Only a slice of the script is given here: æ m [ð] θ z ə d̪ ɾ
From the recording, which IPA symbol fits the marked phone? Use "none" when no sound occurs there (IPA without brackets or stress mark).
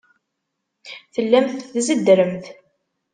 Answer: θ